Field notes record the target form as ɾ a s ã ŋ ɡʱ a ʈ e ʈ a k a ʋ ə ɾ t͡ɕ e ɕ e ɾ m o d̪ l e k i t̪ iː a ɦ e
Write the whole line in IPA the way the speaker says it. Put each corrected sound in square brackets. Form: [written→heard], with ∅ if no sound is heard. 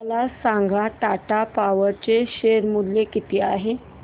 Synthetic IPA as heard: [ɾ→l] a s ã ŋ ɡʱ a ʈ [e→a] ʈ a [k→p] a ʋ ə ɾ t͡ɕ e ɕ e ɾ m [o→u] d̪ l e k i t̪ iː a ɦ e